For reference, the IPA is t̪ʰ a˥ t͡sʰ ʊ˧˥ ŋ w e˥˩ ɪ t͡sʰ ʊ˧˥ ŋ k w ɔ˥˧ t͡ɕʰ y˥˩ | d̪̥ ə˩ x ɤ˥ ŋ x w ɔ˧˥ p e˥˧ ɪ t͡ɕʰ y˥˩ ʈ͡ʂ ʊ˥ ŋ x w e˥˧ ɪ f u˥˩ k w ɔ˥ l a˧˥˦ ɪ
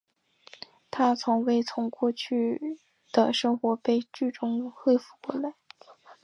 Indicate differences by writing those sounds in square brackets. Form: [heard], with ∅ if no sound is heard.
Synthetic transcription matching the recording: t̪ʰ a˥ t͡sʰ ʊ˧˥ ŋ w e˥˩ ɪ t͡sʰ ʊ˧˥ ŋ k w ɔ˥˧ t͡ɕʰ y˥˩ | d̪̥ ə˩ [ʂ] ɤ˥ ŋ x w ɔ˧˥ p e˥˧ ɪ [t͡ɕ] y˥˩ ʈ͡ʂ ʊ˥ ŋ x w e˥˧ ɪ f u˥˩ k w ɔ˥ l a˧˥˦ ɪ